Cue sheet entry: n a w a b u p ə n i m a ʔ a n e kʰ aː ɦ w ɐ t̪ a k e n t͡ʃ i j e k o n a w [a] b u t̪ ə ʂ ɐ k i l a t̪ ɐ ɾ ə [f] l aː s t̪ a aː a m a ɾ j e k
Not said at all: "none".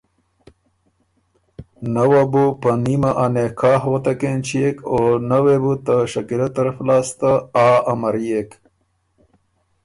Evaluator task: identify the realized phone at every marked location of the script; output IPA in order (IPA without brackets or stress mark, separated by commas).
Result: e, f